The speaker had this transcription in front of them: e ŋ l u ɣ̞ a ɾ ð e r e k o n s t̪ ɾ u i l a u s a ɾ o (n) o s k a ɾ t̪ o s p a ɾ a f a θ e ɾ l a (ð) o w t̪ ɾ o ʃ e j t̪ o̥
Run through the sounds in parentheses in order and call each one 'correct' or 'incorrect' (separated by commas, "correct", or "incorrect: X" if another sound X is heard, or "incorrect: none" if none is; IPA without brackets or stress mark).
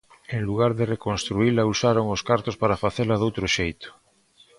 incorrect: ŋ, correct